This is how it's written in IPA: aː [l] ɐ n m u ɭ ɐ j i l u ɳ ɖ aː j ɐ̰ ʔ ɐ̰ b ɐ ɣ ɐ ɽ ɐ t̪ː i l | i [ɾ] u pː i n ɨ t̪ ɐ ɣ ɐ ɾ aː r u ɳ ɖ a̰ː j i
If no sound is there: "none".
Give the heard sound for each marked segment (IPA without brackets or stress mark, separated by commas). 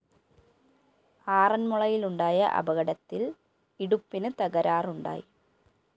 r, ɽ